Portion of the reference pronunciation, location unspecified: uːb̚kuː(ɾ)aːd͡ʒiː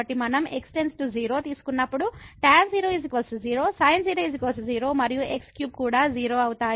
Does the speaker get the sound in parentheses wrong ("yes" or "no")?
yes